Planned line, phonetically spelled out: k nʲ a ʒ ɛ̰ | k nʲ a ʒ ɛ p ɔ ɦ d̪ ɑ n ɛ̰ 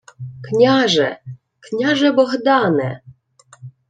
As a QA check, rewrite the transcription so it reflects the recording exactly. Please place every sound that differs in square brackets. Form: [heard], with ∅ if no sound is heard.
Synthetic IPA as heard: k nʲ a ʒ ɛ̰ | k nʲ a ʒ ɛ [b] ɔ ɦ d̪ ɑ n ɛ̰